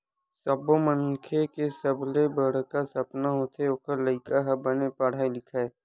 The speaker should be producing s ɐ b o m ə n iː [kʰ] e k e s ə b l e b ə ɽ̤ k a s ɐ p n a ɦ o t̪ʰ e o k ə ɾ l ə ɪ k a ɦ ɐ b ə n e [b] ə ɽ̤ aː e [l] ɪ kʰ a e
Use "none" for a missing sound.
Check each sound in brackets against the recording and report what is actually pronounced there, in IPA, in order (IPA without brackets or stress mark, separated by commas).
kʰ, p, l